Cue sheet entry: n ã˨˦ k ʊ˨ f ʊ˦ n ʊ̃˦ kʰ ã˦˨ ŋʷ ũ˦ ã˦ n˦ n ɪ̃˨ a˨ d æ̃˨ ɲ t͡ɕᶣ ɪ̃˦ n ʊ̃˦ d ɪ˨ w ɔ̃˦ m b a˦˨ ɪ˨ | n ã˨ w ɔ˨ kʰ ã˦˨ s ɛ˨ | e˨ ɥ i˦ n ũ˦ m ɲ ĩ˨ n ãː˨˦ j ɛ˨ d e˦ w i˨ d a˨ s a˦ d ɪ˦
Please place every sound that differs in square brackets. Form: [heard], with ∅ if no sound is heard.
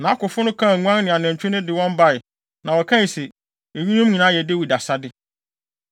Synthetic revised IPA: n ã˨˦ k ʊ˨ f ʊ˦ n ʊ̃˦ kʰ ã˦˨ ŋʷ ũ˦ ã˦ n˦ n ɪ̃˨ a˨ [n] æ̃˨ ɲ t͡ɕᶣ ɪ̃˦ n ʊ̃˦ d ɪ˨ w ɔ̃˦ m b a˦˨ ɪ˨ | n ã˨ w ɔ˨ kʰ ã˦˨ s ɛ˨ | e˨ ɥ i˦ n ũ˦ m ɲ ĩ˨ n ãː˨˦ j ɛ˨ d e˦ w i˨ d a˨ s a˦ d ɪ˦